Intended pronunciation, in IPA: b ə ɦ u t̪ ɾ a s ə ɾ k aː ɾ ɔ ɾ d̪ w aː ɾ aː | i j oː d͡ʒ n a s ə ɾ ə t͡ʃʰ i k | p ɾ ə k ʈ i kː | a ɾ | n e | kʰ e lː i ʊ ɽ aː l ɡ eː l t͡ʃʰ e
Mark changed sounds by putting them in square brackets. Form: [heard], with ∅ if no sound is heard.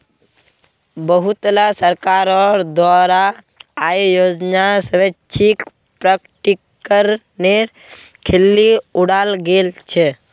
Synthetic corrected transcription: b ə ɦ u t̪ [l] a s ə ɾ k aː ɾ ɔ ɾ d̪ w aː ɾ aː | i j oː d͡ʒ n a s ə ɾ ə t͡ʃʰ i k | p ɾ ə k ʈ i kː | [ə] ɾ | n e | kʰ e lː i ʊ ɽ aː l ɡ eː l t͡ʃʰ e